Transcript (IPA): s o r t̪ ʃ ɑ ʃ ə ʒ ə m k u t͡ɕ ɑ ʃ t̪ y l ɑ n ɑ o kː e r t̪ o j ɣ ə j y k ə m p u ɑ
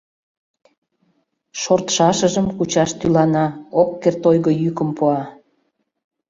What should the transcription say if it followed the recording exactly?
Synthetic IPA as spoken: ʃ o r t̪ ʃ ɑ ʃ ə ʒ ə m k u t͡ɕ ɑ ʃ t̪ y l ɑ n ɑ o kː e r t̪ o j ɣ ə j y k ə m p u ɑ